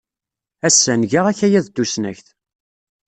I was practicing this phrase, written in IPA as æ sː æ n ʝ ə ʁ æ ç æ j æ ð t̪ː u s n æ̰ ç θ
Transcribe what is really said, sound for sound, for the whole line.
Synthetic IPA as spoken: æ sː æ n ʝ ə ʁ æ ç æ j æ ð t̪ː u s n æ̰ ç θ

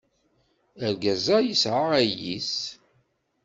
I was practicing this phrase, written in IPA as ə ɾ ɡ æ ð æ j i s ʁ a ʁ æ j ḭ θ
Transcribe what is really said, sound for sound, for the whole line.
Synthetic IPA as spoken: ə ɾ ɡ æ z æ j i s ʕ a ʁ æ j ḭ s

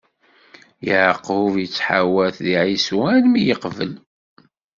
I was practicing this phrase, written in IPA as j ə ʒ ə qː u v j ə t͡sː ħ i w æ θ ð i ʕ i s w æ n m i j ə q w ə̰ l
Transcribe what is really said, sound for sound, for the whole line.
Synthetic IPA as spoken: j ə ʕ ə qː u v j ə t͡sː ħ a w æ θ ð i ʕ i s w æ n m i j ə q v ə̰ l

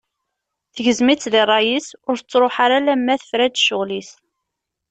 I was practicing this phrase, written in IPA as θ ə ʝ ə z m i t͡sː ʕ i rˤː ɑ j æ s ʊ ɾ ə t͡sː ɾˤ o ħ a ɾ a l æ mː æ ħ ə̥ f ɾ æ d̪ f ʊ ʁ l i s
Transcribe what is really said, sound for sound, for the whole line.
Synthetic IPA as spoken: θ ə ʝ ə z m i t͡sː ð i rˤː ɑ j i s ʊ ɾ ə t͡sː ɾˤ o ħ a ɾ a l æ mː æ θ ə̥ f ɾ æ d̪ ʃ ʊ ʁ l i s

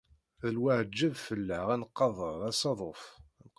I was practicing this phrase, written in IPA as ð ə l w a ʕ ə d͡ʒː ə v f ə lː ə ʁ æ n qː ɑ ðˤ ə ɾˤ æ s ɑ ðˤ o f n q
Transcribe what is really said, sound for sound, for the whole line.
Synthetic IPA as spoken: ð ə l w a ʕ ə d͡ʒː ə v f ə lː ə ʁ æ n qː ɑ ðˤ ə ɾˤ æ s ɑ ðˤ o f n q

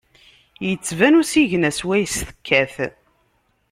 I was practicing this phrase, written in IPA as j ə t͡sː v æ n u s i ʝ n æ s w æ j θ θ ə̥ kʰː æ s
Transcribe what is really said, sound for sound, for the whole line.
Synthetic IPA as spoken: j ə t͡sː v æ n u s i ʝ n æ s w æ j s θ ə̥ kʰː æ θ

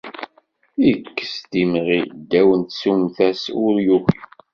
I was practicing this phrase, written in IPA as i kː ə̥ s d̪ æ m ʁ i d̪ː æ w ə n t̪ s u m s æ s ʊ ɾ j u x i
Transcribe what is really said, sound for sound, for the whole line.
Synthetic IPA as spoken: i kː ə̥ s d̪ i m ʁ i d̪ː æ w ə n t̪ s u m θ æ s ʊ ɾ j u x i

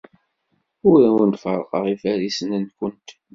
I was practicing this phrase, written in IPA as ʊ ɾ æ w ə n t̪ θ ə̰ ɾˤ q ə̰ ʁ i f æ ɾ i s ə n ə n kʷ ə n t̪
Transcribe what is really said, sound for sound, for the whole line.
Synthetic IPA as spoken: ʊ ɾ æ w ə n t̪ f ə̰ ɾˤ q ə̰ ʁ i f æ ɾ i s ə n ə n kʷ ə n t̪

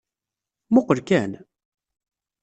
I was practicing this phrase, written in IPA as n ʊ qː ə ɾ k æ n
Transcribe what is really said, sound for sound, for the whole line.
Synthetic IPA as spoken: m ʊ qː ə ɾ k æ n

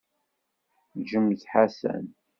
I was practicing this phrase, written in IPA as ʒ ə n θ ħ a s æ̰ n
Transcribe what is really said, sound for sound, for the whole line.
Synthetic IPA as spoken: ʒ ə m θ ħ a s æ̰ n

